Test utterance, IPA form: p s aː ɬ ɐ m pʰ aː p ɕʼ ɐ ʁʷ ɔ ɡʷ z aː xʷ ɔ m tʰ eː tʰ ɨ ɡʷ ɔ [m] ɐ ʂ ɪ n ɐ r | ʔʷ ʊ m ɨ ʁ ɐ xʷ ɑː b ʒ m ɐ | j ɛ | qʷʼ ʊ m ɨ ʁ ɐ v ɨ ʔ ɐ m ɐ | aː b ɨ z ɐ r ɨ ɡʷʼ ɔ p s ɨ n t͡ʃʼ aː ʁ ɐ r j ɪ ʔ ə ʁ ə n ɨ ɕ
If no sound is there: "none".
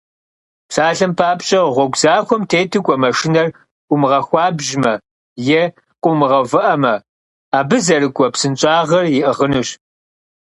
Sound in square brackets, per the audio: m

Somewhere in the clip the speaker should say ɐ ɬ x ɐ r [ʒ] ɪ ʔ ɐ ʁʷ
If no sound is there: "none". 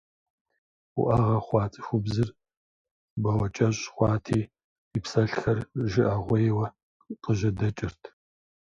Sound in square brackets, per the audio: ʒ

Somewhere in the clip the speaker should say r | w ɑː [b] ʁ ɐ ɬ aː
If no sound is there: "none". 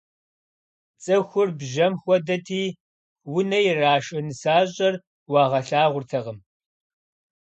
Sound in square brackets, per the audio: none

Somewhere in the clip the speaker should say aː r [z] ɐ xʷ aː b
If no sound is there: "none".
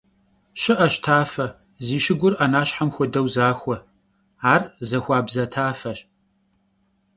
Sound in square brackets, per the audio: z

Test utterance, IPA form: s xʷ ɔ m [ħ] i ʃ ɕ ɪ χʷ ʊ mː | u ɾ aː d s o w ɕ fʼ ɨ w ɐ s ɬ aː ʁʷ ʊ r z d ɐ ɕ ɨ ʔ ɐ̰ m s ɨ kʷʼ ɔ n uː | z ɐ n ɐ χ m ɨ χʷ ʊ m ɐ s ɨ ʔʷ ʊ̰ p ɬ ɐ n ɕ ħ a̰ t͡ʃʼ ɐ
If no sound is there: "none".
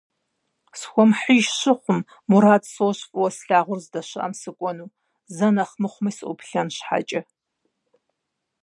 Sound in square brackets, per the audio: ħ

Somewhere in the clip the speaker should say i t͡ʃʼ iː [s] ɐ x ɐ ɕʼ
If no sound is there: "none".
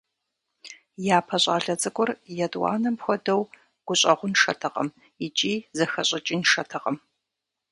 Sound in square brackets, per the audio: z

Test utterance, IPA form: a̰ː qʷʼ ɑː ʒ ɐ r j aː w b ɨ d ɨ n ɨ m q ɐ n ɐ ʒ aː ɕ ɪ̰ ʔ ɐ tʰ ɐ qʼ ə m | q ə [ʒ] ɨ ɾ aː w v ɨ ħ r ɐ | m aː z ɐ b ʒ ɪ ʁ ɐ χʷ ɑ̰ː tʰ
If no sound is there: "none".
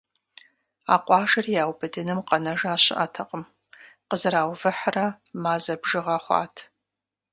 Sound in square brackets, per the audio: z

